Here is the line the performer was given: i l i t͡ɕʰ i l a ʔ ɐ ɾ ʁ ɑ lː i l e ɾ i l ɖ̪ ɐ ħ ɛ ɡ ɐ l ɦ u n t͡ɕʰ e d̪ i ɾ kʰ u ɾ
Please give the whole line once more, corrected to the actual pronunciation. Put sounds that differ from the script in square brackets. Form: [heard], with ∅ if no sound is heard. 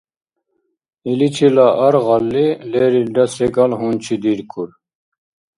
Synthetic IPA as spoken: i l i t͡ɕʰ i l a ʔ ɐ ɾ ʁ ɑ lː i l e ɾ i l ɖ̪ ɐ [s] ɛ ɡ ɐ l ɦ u n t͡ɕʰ [i] d̪ i ɾ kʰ u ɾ